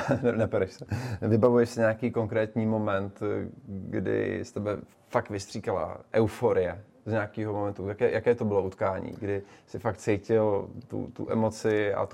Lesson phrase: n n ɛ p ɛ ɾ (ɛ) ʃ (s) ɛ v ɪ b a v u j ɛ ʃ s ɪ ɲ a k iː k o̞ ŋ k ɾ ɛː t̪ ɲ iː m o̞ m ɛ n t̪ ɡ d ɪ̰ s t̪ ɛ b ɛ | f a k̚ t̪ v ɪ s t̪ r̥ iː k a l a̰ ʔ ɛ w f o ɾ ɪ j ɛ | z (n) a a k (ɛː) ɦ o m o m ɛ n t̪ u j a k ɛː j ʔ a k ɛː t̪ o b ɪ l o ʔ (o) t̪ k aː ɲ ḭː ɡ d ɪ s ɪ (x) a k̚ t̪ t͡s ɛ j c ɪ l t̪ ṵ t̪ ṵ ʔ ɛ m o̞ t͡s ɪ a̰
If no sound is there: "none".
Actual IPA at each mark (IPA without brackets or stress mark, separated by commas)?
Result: ɛ, s, ɲ, iː, u, f